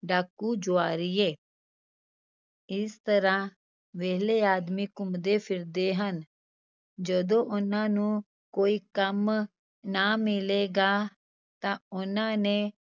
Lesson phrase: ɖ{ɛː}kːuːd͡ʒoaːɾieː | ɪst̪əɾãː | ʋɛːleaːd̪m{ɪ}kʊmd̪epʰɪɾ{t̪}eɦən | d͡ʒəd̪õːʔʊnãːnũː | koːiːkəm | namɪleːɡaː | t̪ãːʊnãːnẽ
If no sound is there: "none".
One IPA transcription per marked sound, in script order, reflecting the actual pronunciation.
aː, i, d̪

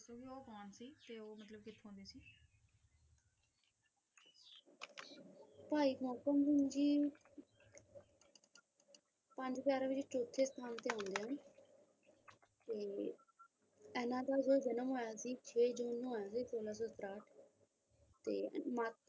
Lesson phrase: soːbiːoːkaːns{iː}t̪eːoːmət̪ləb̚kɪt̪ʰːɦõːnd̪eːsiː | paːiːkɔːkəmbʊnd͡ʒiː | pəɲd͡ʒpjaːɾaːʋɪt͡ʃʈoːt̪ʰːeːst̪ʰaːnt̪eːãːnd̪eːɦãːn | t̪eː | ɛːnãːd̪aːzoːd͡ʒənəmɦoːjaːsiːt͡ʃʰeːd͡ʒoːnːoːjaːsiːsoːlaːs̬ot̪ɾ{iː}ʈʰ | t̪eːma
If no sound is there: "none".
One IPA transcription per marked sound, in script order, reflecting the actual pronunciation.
iː, aː

